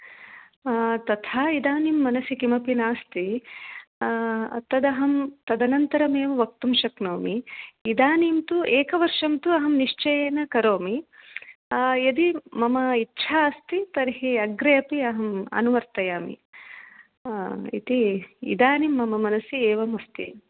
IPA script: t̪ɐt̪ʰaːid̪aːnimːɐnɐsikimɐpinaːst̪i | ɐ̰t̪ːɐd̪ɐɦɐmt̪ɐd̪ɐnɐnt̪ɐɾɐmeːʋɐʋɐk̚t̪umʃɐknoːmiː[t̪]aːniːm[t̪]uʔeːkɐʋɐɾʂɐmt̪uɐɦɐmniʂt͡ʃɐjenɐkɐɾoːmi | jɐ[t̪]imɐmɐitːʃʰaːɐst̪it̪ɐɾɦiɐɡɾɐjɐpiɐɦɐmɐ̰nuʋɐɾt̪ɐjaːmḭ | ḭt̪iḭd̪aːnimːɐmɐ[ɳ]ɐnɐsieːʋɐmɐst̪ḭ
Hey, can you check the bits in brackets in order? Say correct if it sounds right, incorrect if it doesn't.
incorrect, correct, incorrect, incorrect

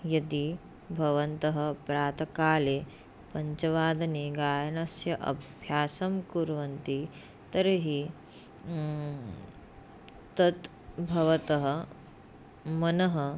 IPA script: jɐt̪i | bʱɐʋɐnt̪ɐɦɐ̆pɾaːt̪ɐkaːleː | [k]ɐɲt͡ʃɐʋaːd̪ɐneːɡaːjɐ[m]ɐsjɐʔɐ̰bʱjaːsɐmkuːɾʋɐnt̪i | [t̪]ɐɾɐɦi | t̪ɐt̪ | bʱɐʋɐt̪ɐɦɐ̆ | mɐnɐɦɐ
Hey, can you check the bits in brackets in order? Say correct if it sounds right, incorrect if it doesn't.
incorrect, incorrect, correct

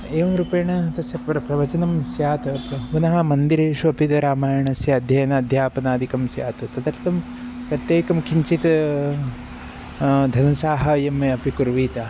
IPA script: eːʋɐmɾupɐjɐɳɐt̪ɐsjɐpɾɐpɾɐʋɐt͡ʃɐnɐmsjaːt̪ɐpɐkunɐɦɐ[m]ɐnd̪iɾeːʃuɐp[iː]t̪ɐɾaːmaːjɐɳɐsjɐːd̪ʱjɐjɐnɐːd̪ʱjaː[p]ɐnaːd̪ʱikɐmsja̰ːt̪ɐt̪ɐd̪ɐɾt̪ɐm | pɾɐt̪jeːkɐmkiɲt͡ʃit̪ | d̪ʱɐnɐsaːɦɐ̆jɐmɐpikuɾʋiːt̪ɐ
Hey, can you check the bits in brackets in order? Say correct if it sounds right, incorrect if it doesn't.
correct, incorrect, correct

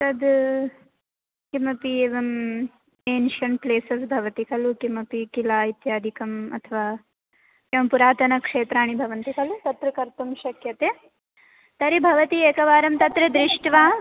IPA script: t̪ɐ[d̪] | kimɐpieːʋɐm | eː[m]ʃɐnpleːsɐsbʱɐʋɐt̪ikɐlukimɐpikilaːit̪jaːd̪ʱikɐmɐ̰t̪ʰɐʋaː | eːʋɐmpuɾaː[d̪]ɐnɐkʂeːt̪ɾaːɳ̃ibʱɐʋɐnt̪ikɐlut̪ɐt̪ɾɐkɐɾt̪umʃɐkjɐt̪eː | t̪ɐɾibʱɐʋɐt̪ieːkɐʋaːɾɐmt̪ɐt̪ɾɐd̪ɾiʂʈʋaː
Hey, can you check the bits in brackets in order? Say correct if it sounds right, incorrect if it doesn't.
correct, incorrect, incorrect

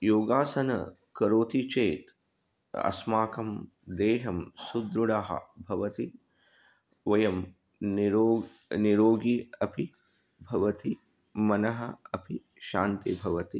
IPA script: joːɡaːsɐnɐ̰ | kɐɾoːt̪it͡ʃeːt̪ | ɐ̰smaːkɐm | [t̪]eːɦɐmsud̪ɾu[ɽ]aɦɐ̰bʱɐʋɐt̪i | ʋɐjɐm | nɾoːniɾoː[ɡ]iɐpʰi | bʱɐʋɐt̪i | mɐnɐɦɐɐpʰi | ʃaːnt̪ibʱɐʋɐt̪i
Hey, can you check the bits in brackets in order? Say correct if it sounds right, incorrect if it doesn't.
incorrect, correct, correct

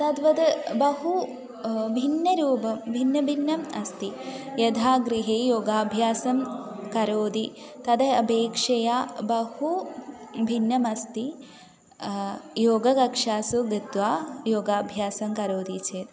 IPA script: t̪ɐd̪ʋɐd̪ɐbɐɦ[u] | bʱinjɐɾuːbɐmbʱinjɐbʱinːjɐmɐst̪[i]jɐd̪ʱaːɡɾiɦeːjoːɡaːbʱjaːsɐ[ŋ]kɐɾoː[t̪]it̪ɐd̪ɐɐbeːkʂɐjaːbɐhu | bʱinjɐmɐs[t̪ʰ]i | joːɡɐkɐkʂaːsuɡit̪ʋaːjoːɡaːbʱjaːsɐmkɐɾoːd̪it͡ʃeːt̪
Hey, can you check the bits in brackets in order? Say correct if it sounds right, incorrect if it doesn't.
correct, correct, incorrect, incorrect, incorrect

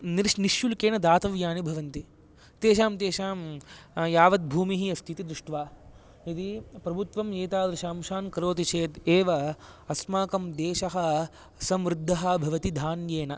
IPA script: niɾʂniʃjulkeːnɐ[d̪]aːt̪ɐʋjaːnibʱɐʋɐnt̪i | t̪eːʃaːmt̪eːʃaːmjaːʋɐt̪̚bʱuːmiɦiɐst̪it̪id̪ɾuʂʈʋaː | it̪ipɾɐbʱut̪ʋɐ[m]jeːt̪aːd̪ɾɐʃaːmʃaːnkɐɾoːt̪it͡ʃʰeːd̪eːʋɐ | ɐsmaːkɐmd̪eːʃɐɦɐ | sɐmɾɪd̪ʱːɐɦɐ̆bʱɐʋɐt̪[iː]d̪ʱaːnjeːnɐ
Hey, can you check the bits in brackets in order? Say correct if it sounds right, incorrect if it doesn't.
correct, correct, incorrect

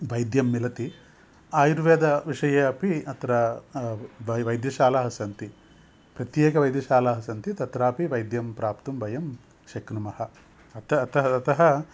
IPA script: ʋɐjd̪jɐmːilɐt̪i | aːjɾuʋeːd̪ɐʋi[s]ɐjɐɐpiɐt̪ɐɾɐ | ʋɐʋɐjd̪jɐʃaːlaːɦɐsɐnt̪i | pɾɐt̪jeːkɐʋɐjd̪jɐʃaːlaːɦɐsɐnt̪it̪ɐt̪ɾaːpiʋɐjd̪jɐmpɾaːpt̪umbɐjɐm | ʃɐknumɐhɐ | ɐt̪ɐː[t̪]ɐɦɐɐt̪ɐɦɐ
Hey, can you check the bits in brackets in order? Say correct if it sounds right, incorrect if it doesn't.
incorrect, correct

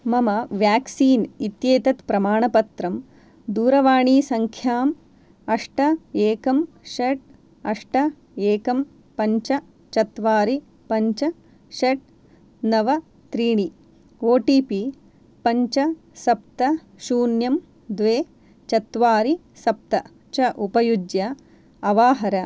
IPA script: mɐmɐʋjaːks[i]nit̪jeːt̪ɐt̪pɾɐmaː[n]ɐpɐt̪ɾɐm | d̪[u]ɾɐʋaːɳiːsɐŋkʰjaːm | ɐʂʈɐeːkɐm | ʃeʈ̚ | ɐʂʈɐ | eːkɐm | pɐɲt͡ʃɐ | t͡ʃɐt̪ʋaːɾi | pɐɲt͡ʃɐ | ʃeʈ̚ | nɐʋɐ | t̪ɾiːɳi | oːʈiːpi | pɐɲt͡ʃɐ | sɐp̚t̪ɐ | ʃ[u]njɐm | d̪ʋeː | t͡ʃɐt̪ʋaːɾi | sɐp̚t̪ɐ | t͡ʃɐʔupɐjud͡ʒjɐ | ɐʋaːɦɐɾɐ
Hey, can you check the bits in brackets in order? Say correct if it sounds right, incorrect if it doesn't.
incorrect, incorrect, incorrect, incorrect

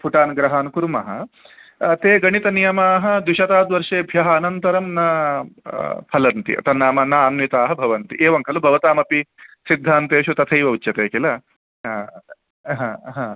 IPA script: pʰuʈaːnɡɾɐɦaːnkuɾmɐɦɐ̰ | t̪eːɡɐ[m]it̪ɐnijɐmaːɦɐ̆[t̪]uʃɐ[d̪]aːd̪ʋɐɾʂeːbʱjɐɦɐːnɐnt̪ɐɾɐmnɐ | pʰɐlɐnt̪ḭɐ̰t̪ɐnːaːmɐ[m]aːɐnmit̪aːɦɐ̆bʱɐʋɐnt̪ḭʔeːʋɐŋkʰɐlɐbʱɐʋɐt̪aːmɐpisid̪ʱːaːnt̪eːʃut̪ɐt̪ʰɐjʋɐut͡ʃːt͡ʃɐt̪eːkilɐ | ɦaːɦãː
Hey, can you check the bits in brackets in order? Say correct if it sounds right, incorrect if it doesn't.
incorrect, incorrect, incorrect, incorrect

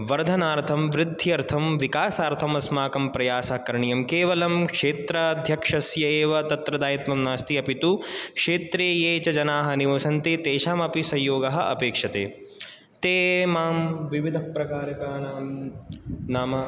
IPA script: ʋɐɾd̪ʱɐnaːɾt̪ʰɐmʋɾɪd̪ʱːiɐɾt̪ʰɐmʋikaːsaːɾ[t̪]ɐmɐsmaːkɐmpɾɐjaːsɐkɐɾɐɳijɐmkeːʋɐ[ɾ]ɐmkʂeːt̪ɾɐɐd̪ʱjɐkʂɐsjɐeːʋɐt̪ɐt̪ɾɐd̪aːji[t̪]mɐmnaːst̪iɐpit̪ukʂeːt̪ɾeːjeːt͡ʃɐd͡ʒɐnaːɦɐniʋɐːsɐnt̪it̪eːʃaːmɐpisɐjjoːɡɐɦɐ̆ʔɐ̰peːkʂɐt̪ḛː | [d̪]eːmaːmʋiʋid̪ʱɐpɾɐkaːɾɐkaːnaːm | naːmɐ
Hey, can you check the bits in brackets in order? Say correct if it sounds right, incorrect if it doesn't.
incorrect, incorrect, correct, incorrect

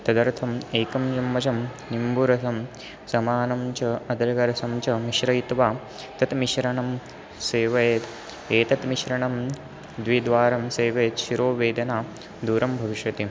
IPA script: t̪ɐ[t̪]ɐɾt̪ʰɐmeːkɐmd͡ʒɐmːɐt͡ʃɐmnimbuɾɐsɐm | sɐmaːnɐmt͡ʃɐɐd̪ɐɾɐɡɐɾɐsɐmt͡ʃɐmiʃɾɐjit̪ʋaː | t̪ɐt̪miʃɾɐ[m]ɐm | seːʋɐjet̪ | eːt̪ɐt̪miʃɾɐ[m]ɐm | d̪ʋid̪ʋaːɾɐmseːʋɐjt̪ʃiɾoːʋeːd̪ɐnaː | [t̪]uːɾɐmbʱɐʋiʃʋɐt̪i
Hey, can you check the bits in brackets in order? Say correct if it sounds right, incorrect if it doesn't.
incorrect, incorrect, incorrect, incorrect

